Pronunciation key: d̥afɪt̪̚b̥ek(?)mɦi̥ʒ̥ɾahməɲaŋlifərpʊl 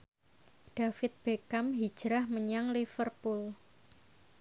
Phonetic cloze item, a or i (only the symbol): a